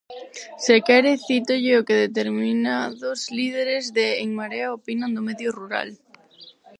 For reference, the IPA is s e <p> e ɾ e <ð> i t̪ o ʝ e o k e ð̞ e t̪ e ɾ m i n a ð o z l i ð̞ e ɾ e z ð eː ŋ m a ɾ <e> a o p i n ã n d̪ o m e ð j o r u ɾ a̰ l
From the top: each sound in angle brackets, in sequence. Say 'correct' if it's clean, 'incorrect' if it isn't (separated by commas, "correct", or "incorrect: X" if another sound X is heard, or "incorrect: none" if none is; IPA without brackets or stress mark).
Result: incorrect: k, incorrect: θ, correct